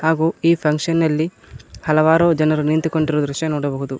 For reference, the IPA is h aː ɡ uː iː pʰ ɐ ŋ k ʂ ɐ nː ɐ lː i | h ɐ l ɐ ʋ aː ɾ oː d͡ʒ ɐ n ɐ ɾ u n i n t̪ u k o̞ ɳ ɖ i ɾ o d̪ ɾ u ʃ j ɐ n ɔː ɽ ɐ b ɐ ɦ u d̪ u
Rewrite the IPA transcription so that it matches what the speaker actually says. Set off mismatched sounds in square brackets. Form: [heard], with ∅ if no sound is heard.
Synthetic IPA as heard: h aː ɡ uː iː pʰ ɐ ŋ k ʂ ɐ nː ɐ lː i | h ɐ l ɐ ʋ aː ɾ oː d͡ʒ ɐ n ɐ ɾ u n i n t̪ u k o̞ ɳ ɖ i ɾ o d̪ ɾ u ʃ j ɐ n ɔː ɽ ɐ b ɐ ɦ u d̪ u